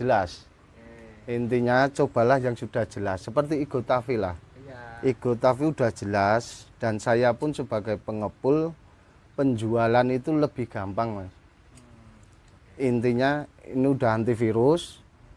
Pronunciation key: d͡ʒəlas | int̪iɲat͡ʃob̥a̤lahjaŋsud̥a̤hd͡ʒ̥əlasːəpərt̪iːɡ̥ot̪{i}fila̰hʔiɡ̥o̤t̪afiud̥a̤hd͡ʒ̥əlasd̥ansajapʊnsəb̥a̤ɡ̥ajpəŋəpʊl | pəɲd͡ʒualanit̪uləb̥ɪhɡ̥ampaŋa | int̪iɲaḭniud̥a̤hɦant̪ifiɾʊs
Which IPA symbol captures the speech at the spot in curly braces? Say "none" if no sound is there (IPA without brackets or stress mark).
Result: a